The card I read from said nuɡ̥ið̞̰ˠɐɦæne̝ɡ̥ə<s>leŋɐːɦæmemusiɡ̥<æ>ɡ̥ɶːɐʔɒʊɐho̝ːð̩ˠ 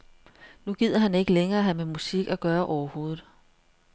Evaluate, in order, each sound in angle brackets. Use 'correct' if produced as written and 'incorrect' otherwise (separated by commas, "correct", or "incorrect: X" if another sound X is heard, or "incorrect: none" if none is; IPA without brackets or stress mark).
incorrect: none, correct